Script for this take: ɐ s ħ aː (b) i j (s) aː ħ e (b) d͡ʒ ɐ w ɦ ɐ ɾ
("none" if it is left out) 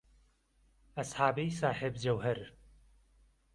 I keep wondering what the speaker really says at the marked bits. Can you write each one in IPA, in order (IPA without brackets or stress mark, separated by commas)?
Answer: b, s, b